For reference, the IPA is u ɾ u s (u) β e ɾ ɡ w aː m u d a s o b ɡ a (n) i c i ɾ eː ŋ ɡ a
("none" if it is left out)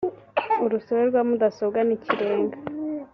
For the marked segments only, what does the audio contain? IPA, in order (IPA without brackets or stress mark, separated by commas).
o, n